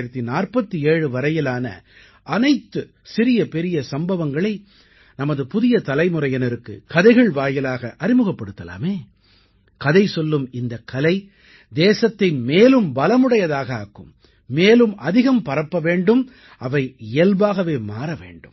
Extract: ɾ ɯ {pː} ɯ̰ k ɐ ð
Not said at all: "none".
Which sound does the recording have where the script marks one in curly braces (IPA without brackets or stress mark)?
kː